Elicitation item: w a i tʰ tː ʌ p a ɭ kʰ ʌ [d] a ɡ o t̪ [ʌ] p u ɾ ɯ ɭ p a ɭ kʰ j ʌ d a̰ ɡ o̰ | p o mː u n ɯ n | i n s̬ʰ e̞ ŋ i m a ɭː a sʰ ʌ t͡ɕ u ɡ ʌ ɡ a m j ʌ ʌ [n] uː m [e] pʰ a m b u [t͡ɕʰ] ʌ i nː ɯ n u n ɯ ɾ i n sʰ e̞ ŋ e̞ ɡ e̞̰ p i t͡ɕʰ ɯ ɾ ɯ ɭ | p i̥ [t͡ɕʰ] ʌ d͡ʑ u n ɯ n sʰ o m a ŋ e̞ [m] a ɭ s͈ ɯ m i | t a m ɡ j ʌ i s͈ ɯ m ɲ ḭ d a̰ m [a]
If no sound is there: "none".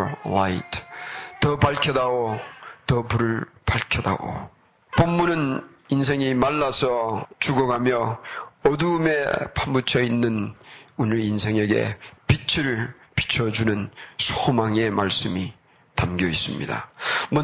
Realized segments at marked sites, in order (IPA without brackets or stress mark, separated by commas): d, ʌ, d, e, t͡ɕʰ, t͡ɕʰ, m, ʌ